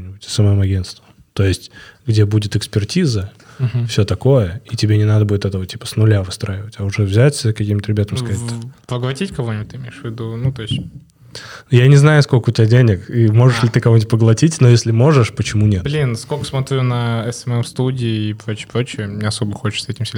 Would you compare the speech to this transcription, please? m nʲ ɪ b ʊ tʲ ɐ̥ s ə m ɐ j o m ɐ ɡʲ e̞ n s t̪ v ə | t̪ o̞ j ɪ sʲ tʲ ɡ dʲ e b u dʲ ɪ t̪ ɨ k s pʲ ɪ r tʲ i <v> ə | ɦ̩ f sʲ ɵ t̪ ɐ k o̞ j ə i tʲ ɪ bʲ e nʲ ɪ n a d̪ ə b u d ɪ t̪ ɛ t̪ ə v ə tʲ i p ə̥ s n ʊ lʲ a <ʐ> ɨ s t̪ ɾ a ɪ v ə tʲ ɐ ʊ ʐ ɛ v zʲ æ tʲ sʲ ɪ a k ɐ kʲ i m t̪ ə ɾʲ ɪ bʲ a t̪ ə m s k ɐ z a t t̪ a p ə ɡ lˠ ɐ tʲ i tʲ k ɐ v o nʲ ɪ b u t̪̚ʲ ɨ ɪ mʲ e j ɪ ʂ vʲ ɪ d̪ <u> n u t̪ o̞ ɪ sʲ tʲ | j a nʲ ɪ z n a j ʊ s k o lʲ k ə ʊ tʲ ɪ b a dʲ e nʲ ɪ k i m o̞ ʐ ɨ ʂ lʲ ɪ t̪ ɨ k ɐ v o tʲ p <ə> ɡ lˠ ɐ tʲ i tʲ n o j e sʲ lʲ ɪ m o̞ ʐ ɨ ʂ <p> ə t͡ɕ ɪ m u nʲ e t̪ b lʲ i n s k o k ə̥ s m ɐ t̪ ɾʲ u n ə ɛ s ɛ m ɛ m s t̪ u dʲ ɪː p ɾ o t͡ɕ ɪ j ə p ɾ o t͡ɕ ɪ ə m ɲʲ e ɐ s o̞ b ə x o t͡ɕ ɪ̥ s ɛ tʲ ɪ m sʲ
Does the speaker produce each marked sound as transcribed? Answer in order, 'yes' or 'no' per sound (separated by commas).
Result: no, no, yes, yes, yes